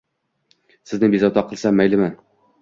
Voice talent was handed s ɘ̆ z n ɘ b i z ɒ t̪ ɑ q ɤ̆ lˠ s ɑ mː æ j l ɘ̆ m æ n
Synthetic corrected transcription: s ɘ̆ z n ɘ b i z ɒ t̪ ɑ q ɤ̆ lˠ s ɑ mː æ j l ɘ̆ m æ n